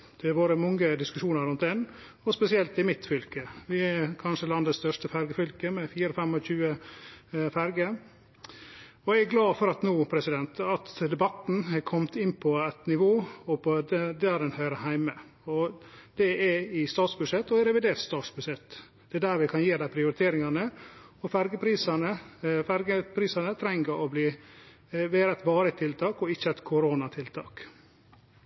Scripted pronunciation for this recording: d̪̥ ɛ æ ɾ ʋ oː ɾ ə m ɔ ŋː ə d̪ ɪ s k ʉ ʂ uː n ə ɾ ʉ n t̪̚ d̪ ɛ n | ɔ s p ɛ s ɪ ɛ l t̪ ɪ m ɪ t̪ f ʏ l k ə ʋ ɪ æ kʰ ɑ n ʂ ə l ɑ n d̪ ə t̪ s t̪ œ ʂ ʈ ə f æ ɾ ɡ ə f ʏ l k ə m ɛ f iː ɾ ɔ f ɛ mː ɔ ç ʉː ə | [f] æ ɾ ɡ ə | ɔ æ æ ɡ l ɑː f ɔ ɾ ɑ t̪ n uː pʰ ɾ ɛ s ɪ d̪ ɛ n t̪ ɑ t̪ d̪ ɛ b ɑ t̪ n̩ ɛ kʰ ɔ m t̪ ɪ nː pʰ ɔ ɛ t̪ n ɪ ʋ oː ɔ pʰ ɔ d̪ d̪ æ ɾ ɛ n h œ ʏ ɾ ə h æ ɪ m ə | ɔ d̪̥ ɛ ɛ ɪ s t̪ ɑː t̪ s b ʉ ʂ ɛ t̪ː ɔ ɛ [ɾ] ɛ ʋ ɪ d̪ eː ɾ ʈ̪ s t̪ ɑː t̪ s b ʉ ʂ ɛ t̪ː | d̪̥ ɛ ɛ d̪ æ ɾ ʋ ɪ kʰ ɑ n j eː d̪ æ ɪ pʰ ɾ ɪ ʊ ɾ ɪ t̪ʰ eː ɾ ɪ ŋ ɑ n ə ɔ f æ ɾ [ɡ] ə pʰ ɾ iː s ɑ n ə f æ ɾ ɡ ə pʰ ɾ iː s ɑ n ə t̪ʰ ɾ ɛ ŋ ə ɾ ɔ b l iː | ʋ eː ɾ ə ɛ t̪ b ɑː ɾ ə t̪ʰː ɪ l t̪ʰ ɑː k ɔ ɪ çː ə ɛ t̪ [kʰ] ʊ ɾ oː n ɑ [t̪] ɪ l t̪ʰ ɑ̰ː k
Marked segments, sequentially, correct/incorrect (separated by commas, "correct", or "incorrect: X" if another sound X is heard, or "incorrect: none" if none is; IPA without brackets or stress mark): correct, correct, correct, correct, incorrect: t̪ʰ